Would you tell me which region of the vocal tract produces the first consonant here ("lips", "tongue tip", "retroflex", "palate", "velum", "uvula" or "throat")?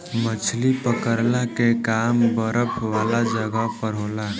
lips